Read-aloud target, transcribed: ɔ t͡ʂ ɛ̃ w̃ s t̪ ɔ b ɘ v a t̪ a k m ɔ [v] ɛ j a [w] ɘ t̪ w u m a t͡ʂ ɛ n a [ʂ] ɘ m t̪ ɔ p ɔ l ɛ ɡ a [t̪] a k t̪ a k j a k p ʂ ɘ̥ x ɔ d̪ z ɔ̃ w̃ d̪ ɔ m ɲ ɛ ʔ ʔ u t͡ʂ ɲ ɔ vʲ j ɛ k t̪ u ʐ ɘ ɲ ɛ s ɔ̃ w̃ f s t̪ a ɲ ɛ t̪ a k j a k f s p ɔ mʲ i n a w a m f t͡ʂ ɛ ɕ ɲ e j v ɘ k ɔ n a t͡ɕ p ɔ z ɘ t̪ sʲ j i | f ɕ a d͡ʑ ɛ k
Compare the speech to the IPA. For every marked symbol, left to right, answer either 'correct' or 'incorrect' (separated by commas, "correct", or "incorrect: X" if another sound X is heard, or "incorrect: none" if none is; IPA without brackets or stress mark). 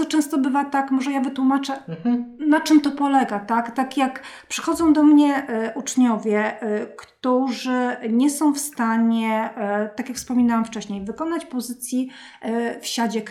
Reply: incorrect: ʐ, incorrect: v, incorrect: t͡ʂ, correct